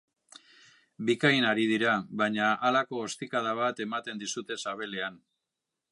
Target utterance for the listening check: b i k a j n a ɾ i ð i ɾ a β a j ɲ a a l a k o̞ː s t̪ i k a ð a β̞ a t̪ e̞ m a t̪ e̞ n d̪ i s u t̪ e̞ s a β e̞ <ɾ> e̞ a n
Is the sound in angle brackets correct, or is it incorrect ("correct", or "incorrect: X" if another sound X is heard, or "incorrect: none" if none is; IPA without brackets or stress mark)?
incorrect: l